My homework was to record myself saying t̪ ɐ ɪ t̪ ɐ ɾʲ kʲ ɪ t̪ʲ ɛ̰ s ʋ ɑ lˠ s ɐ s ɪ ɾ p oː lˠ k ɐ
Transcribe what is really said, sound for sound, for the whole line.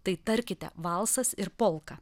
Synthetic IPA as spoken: t̪ ɐ ɪ t̪ ɐ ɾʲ kʲ ɪ t̪ʲ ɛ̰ ʋ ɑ lˠ s ɐ s ɪ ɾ p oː lˠ k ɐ